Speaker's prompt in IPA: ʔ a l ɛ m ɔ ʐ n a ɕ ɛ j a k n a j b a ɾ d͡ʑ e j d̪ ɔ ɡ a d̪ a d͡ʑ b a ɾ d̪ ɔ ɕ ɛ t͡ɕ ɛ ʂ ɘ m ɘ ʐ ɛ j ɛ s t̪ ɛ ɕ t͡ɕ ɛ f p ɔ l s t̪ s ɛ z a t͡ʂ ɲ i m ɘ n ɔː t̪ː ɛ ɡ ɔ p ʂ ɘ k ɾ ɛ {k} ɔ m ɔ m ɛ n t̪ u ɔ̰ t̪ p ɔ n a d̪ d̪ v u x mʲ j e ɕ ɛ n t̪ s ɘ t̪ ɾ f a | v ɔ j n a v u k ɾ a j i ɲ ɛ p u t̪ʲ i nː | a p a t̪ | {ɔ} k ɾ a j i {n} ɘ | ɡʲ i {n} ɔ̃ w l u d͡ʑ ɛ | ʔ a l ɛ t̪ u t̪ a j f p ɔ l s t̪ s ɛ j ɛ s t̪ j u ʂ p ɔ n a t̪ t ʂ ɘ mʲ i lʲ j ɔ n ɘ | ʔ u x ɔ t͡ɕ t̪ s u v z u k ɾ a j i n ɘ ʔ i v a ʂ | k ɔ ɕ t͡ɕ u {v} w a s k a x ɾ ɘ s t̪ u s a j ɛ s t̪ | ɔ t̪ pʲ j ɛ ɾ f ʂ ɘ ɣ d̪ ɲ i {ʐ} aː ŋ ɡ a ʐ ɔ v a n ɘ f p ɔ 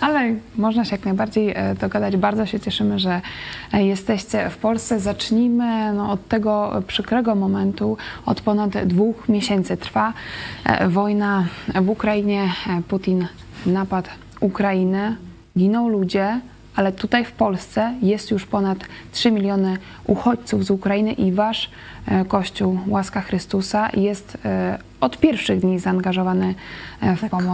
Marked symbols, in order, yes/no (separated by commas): no, no, yes, yes, no, no